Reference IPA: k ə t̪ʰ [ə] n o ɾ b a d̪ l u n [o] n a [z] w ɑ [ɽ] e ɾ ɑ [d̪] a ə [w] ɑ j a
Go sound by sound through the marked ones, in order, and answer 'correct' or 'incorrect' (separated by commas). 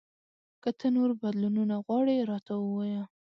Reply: correct, incorrect, incorrect, correct, incorrect, correct